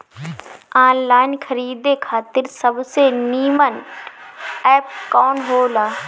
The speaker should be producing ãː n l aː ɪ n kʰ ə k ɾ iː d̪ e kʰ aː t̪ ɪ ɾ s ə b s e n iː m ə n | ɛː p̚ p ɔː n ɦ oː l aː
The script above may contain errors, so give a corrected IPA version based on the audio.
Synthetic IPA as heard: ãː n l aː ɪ n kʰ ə ɾ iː d̪ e kʰ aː t̪ ɪ ɾ s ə b s e n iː m ə n | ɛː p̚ k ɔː n ɦ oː l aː